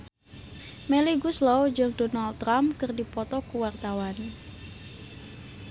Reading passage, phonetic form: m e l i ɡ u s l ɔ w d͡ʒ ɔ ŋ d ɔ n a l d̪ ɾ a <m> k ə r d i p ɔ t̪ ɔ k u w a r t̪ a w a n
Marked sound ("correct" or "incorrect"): correct